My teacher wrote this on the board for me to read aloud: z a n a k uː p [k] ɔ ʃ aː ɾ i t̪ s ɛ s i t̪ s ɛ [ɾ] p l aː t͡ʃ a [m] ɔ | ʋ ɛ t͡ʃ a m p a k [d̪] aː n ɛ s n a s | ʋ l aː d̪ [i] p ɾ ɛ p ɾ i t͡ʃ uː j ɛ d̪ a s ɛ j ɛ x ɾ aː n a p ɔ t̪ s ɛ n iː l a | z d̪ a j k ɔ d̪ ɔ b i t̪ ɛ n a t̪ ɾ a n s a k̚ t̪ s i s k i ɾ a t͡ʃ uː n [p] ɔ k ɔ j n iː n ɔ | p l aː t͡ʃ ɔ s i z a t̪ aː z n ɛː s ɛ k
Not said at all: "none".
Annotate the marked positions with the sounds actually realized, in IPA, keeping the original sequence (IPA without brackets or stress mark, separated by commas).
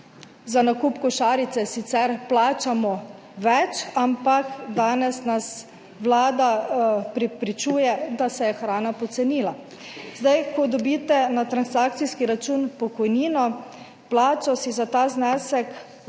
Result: k, ɾ, m, d̪, a, p